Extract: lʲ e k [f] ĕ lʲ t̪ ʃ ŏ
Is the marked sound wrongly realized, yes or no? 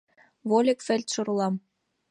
no